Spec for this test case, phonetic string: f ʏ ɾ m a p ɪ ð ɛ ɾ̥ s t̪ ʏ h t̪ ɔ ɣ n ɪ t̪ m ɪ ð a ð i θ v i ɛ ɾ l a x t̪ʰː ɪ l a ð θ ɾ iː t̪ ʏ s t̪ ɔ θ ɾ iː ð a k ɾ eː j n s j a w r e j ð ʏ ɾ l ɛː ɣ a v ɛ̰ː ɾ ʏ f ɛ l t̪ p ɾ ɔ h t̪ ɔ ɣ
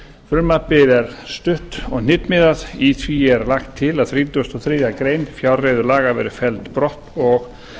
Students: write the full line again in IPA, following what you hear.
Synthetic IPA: f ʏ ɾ m a p ɪ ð ɛ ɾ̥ s t̪ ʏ h t̪ ɔ ɣ n ɪ t̪ m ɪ ð a ð i θ v i ɛ ɾ l a x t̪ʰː ɪ l a ð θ ɾ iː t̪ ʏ s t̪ ɔ θ ɾ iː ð a k ɾ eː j n f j a w r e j ð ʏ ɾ l aː ɣ a v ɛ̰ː ɾ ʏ f ɛ l t̪ p ɾ ɔ h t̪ ɔ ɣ